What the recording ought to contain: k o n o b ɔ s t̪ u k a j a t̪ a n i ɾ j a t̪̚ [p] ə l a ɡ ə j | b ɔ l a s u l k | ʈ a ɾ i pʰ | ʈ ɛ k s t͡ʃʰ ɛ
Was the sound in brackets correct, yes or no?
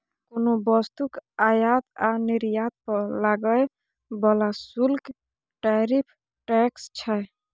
yes